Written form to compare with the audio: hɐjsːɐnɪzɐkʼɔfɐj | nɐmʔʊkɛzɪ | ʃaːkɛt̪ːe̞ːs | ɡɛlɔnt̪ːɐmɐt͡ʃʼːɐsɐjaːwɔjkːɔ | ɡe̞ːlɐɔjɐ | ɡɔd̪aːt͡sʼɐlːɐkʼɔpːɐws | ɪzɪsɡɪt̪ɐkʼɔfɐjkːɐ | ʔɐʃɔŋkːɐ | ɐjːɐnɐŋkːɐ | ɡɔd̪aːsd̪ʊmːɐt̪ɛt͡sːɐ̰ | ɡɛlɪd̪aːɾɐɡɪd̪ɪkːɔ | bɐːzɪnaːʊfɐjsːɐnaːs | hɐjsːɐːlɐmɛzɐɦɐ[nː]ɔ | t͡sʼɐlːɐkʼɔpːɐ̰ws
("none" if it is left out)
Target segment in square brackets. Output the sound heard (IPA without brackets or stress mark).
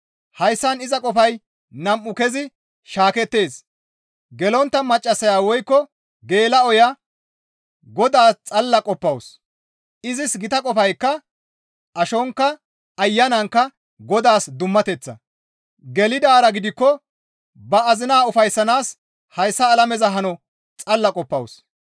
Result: n